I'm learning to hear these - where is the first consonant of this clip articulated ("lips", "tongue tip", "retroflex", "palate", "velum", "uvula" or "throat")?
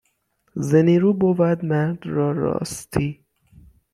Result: tongue tip